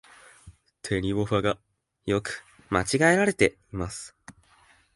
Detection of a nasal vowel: absent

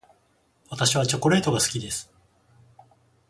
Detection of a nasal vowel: absent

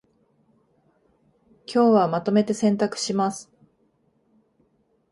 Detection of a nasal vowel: present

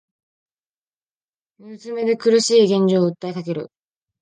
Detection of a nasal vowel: present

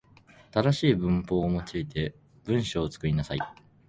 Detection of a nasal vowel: present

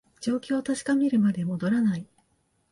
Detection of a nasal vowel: absent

